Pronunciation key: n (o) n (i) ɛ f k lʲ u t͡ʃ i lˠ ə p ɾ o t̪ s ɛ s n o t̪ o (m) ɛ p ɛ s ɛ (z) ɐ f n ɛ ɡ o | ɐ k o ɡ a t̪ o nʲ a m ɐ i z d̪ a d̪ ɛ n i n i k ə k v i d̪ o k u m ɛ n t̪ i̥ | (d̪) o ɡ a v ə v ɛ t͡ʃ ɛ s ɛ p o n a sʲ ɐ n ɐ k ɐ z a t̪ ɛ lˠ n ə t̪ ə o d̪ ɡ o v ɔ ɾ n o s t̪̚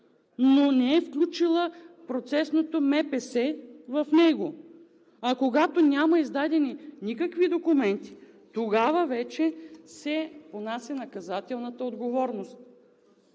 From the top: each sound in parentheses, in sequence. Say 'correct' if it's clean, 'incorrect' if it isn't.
correct, incorrect: ɛ, correct, incorrect: v, incorrect: t̪

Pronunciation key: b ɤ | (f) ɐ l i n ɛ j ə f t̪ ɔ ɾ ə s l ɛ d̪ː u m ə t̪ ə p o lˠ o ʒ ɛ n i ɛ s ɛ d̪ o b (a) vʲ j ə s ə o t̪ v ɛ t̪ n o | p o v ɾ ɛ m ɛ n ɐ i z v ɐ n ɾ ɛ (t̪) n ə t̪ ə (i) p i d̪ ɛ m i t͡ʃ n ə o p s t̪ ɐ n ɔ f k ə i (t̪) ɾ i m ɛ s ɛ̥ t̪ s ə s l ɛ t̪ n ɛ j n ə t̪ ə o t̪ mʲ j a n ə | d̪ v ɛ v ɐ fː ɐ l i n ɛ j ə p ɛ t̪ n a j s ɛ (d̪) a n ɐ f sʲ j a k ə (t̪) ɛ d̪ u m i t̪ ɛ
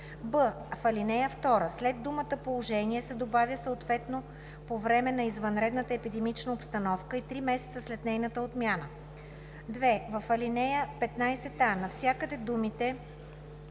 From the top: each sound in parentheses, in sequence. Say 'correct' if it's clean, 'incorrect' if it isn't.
correct, correct, incorrect: d̪, incorrect: ɛ, correct, incorrect: t̪, incorrect: d̪

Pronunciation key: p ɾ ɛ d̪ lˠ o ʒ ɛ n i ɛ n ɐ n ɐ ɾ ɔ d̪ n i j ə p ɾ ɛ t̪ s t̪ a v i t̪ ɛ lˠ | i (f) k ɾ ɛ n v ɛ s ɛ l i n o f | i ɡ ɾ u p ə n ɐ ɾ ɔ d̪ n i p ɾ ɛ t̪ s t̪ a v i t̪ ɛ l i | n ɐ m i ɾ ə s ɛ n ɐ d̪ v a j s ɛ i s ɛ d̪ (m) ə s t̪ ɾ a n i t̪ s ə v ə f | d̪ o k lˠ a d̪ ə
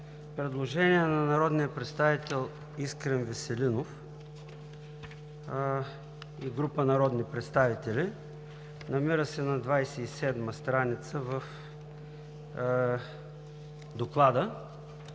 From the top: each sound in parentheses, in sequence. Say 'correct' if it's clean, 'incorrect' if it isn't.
incorrect: s, correct

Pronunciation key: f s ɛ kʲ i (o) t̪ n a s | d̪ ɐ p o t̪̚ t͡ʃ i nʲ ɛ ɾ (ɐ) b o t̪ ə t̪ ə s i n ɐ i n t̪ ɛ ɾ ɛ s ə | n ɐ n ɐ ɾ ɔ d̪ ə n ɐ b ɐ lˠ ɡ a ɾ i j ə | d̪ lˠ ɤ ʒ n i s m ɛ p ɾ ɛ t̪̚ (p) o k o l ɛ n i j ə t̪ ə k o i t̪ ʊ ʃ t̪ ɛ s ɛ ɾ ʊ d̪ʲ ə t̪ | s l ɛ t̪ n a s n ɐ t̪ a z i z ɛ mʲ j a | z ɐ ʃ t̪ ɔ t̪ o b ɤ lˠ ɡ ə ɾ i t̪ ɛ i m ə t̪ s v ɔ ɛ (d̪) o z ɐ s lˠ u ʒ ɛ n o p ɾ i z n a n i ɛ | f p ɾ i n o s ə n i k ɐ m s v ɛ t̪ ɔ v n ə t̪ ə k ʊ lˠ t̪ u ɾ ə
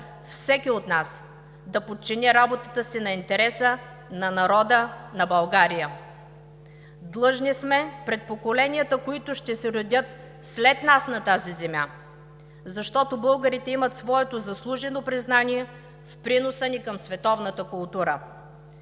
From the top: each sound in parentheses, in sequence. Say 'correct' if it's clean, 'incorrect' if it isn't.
correct, incorrect: a, correct, incorrect: t̪

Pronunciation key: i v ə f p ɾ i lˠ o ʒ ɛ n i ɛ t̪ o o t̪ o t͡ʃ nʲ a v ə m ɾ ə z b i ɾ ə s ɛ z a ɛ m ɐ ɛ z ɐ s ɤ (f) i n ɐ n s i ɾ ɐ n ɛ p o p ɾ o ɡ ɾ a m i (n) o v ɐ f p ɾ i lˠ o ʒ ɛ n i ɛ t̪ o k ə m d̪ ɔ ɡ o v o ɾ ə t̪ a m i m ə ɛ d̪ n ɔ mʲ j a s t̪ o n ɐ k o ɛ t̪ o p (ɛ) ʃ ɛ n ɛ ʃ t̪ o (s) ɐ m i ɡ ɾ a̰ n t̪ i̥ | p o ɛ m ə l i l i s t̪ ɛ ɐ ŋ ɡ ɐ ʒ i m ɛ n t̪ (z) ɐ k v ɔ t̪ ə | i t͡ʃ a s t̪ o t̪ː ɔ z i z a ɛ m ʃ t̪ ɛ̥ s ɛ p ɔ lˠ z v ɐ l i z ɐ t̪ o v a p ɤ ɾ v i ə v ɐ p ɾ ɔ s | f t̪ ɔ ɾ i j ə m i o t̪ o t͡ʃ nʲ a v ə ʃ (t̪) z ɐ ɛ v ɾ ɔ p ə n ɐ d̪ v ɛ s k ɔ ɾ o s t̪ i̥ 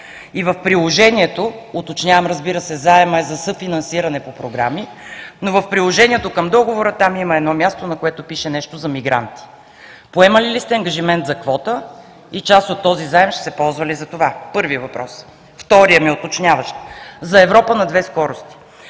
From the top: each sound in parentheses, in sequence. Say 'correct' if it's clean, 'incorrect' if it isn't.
correct, correct, incorrect: i, incorrect: z, correct, correct

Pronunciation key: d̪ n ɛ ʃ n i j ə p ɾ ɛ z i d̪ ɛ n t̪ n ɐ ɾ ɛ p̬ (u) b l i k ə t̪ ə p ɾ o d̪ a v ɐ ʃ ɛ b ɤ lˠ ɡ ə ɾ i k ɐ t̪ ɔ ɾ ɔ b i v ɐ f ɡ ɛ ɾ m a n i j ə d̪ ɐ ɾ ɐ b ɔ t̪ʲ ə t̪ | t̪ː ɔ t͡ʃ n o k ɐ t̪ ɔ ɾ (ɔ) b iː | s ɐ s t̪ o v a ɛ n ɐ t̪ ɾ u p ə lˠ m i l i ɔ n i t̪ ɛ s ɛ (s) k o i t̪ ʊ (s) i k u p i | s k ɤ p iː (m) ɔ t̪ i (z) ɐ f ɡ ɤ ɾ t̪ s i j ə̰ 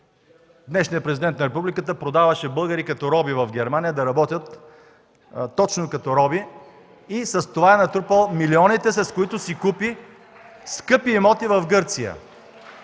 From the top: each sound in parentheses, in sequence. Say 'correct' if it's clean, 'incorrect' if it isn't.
correct, correct, correct, correct, correct, incorrect: v

